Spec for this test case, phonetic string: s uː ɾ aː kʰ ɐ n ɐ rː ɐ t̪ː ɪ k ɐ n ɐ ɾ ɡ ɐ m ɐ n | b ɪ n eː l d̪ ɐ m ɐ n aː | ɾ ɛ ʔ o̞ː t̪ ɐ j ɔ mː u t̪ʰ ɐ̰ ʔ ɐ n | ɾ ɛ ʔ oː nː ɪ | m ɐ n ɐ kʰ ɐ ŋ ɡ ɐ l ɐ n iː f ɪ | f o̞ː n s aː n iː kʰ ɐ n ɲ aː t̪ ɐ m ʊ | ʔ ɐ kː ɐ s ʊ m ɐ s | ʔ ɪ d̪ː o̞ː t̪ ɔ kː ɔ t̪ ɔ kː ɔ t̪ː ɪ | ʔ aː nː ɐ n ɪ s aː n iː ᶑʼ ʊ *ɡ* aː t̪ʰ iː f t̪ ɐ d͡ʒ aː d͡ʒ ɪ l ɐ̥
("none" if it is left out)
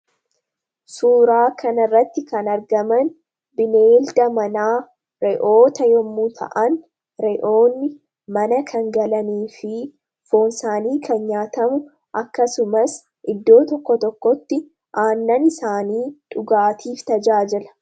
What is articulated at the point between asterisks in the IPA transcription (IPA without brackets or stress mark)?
ɡ